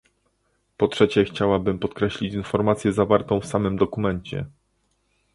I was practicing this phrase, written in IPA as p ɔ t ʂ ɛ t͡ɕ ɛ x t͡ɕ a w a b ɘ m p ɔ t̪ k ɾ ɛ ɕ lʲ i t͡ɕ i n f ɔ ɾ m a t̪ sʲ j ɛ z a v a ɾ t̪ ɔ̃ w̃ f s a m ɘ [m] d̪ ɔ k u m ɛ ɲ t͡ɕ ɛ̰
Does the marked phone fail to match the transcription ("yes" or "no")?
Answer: no